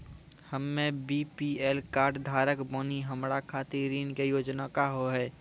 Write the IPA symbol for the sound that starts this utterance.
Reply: h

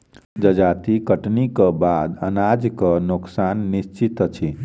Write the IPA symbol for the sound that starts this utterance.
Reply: d͡ʒ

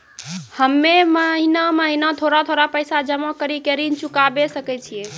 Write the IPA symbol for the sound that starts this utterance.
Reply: h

